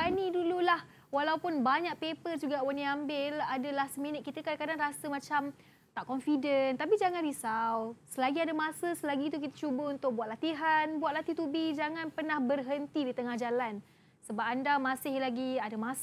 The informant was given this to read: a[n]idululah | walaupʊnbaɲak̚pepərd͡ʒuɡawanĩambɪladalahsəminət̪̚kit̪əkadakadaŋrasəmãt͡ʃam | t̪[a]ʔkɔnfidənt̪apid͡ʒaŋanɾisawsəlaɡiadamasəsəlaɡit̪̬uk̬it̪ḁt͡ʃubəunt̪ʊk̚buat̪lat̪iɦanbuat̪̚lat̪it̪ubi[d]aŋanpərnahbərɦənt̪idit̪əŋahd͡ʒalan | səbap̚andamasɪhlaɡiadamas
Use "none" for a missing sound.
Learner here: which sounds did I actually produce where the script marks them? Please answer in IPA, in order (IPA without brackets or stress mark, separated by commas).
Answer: n, a, d͡ʒ